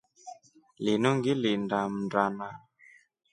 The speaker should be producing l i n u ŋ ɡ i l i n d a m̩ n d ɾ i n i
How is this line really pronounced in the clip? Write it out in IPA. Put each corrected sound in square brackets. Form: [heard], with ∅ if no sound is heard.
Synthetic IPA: l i n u ŋ ɡ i l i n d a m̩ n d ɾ [a] n [a]

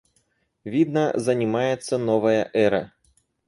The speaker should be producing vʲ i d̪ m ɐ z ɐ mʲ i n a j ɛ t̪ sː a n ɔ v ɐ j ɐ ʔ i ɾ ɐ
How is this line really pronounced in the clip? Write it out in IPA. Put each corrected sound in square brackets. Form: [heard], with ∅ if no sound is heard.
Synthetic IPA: vʲ i d̪ [n] ɐ z ɐ [nʲ] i [m] a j ɛ t̪ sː [ɐ] n ɔ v ɐ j ɐ ʔ [ɛ] ɾ ɐ

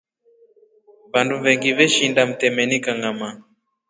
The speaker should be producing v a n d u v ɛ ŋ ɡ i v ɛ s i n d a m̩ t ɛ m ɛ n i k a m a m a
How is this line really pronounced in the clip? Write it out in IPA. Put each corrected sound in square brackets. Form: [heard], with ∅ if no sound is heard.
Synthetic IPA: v a n d u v ɛ ŋ ɡ i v ɛ [ʃ] i n d a m̩ t ɛ m ɛ n i k a [ŋ] a m a

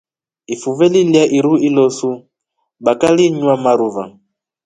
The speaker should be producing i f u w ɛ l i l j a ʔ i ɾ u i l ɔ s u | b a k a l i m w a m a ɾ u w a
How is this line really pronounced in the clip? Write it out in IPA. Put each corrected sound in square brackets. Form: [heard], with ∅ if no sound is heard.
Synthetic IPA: i f u [v] ɛ l i l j a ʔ i ɾ u i l ɔ s u | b a k a l i [ɲ] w a m a ɾ u [v] a

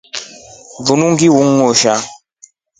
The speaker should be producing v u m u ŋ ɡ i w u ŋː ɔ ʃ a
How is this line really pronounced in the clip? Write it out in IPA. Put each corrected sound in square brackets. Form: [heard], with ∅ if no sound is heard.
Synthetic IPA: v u [n] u ŋ ɡ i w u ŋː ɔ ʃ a

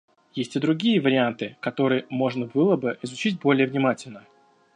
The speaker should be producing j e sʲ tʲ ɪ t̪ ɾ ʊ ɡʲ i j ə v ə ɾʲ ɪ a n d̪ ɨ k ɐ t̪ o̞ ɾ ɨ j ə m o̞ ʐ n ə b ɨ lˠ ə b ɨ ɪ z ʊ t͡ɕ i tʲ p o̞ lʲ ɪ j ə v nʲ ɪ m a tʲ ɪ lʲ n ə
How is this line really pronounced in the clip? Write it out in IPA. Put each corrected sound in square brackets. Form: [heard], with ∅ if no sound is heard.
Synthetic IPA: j e sʲ tʲ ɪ [d̪] ɾ ʊ ɡʲ i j ə v ə ɾʲ ɪ a n [t̪] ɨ k ɐ t̪ o̞ ɾ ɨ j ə m o̞ ʐ n ə b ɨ lˠ ə b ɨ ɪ z ʊ t͡ɕ i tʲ [b] o̞ lʲ ɪ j ə v nʲ ɪ m a tʲ ɪ lʲ n ə

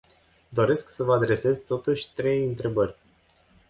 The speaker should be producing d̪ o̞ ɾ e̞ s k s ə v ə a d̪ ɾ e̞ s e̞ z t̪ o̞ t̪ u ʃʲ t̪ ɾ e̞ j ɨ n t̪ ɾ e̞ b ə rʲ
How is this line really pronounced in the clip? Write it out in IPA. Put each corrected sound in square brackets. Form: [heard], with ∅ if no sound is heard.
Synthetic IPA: d̪ o̞ ɾ e̞ s k s ə v ə a d̪ ɾ e̞ s e̞ z t̪ o̞ t̪ u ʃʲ t̪ ɾ e̞ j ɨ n t̪ ɾ e̞ b ə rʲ

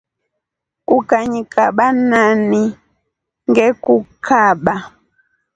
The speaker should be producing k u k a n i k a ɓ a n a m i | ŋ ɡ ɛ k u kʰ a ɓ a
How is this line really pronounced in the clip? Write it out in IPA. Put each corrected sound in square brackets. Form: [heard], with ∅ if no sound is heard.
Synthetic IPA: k u k a [ɲ] i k a ɓ a n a [n] i | ŋ ɡ ɛ k u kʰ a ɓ a

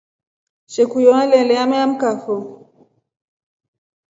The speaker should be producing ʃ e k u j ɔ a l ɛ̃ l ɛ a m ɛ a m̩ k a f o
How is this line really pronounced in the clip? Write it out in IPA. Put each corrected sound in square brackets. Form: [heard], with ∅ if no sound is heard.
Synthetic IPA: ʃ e k u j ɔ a l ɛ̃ l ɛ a m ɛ a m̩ k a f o

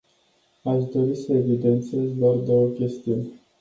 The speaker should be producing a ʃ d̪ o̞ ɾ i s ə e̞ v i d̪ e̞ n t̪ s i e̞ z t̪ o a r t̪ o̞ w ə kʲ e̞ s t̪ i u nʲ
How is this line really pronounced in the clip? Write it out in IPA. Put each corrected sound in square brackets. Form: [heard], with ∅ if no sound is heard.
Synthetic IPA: a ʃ d̪ o̞ ɾ i s ə e̞ v i d̪ e̞ n t̪ s i e̞ z [d̪] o a r [d̪] o̞ w ə kʲ e̞ s t̪ i u nʲ

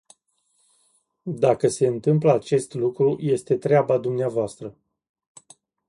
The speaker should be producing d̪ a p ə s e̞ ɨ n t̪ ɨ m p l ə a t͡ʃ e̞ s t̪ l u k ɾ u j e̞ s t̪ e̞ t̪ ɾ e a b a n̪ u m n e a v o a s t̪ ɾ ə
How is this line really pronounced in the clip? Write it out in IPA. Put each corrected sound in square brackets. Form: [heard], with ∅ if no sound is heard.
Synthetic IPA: d̪ a [k] ə s e̞ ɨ n t̪ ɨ m p l ə a t͡ʃ e̞ s t̪ l u k ɾ u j e̞ s t̪ e̞ t̪ ɾ e a b a [d̪] u m n e a v o a s t̪ ɾ ə

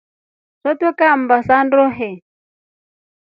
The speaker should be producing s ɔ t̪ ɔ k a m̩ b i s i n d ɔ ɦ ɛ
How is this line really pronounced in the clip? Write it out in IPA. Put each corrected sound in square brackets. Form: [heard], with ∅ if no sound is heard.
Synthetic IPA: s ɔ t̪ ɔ k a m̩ b [a] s [a] n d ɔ ɦ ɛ

